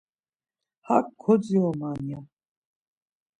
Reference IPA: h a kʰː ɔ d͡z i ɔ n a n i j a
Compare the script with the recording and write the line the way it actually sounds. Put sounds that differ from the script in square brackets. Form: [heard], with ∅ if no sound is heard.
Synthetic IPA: h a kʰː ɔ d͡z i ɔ [m] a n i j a